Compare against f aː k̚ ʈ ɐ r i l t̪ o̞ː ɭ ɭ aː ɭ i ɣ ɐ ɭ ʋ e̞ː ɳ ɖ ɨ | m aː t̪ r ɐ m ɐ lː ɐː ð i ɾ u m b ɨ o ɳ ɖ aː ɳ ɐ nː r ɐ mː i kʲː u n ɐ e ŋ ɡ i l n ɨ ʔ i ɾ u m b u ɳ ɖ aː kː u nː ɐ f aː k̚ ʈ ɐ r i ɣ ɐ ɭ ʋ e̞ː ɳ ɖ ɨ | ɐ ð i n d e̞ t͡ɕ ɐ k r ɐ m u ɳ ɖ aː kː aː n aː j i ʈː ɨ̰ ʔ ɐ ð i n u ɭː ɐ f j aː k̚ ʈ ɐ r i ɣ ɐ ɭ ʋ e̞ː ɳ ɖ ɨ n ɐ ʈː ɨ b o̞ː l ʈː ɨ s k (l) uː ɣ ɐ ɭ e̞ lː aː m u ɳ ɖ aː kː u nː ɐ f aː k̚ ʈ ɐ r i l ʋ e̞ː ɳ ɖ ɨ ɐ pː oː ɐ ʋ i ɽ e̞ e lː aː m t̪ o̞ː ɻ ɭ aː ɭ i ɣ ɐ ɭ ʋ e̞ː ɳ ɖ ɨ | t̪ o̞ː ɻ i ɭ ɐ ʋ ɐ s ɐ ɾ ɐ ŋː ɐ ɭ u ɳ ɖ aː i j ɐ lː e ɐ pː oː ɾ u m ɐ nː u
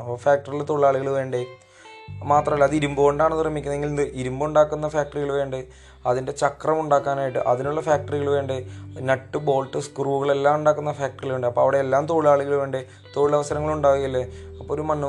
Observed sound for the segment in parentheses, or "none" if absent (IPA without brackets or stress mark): r